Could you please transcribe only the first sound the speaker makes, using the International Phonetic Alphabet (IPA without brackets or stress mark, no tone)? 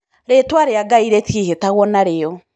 ɾ